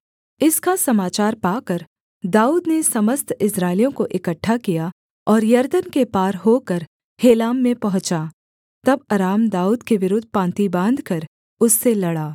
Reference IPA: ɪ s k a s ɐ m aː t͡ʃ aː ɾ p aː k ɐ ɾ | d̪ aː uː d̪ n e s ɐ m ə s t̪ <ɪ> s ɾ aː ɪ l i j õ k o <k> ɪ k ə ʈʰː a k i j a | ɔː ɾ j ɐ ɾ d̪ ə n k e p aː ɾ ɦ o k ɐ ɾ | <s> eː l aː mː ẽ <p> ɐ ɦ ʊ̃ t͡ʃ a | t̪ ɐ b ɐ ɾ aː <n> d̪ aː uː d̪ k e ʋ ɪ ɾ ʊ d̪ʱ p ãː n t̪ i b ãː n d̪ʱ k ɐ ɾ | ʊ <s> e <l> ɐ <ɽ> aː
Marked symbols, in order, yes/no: yes, no, no, yes, no, no, yes, yes

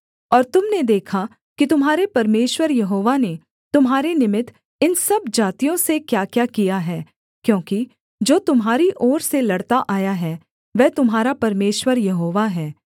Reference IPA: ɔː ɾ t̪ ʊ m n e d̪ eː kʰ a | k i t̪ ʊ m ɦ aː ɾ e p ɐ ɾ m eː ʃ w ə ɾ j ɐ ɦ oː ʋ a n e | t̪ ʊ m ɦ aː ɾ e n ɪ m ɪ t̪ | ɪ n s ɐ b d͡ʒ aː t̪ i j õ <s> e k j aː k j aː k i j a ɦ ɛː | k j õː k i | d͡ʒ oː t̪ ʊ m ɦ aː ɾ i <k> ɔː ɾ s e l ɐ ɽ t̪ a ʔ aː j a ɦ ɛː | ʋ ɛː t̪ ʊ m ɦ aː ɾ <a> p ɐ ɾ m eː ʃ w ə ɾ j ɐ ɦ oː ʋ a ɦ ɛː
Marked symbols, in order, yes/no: yes, no, yes

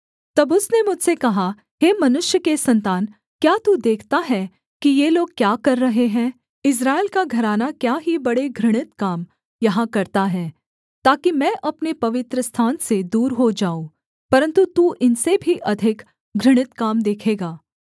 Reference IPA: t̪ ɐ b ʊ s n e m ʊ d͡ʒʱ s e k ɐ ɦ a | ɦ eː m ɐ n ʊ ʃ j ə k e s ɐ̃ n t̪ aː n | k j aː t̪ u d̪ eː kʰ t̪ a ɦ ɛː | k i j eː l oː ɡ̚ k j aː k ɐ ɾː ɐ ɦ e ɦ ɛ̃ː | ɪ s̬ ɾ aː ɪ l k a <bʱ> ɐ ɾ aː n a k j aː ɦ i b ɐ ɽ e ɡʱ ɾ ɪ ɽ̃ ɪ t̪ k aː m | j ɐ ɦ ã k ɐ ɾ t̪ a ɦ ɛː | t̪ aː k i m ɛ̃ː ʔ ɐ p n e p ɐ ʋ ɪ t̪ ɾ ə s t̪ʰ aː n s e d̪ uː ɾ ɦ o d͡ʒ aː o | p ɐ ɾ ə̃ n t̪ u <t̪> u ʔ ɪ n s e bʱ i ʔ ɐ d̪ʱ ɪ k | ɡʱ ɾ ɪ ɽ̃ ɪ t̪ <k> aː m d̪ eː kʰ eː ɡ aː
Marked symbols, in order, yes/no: no, yes, yes

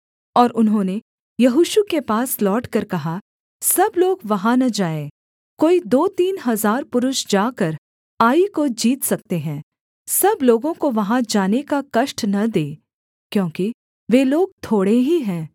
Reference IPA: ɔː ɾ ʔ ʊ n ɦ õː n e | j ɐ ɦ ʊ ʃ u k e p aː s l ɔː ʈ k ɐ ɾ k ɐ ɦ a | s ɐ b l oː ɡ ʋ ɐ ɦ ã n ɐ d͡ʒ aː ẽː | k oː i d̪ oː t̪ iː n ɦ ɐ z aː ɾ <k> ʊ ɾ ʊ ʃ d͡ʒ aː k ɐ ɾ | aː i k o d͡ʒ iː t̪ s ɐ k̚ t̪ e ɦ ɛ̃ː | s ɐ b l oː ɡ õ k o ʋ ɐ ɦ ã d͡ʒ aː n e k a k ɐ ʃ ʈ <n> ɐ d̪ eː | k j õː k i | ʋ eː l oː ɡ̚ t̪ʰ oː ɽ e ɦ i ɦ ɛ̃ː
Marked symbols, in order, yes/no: no, yes

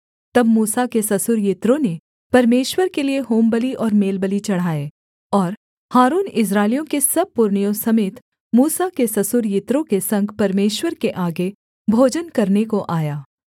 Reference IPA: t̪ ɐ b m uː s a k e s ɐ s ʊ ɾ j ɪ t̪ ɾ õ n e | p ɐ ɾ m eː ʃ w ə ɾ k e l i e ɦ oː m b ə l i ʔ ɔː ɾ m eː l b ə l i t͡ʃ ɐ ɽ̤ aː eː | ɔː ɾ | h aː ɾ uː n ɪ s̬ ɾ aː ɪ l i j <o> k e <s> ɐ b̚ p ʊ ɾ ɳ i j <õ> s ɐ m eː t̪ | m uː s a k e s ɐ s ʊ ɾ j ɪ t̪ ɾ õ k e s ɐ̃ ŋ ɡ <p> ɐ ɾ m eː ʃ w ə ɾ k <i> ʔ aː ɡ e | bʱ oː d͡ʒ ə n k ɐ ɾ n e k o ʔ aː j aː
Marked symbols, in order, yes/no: no, yes, yes, yes, no

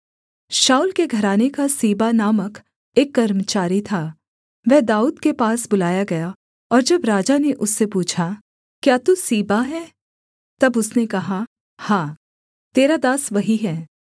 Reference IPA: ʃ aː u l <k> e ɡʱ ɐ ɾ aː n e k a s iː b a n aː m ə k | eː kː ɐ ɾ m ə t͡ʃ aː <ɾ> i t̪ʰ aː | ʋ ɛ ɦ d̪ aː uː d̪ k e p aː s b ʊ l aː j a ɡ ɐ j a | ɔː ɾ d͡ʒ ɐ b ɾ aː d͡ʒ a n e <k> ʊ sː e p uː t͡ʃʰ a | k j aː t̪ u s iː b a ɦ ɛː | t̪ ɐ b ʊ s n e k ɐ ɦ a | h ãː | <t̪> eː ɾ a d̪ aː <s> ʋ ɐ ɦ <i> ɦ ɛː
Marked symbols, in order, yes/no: yes, yes, no, yes, yes, yes

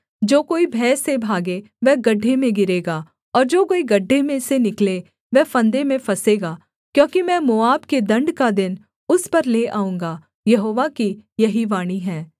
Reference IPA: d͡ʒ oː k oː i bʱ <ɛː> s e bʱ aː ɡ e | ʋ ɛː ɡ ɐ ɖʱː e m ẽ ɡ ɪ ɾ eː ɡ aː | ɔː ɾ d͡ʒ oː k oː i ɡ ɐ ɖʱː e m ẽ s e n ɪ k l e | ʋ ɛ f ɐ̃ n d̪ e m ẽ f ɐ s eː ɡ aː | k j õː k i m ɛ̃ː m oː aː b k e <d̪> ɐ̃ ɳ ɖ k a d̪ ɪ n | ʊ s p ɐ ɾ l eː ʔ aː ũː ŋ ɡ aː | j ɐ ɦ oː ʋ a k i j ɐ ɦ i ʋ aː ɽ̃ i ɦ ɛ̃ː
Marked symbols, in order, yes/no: yes, yes

